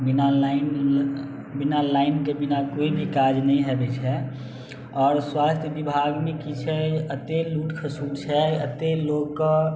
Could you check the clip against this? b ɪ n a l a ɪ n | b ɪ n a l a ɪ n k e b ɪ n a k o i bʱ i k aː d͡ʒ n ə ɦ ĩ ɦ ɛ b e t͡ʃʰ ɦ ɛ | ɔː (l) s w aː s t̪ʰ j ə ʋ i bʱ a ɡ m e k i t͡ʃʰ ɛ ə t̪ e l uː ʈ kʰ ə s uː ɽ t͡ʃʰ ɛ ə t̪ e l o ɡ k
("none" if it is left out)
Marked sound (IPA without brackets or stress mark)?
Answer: ɾ